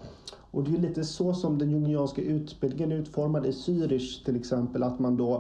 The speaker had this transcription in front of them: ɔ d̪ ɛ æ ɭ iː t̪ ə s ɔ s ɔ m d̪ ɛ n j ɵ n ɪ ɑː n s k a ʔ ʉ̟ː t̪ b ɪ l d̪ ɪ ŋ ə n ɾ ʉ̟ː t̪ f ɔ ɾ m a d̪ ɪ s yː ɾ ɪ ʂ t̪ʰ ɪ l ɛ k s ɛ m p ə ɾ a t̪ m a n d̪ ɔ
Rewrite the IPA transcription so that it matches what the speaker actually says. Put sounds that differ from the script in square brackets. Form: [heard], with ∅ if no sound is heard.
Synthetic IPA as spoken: ɔ d̪ ɛ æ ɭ iː t̪ ə s ɔ s ɔ m d̪ ɛ n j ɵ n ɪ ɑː n s k a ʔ ʉ̟ː t̪ b ɪ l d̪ ɪ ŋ ə n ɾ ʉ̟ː t̪ f ɔ ɾ m a d̪ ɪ s yː ɾ ɪ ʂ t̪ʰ ɪ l ɛ k s ɛ m p ə [l] a t̪ m a n d̪ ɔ